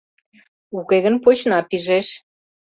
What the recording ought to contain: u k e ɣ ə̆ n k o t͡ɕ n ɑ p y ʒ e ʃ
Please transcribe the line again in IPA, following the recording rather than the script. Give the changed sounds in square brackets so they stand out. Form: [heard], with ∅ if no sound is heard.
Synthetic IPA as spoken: u k e ɣ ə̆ n [p] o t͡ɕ n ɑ p [i] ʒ e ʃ